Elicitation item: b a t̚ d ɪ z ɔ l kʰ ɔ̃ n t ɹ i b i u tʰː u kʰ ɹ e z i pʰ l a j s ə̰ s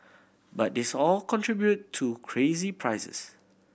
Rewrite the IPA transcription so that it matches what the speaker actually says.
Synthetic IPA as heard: b a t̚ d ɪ s ɔ l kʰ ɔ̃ n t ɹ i b j u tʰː u kʰ ɹ e z i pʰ ɹ a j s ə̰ s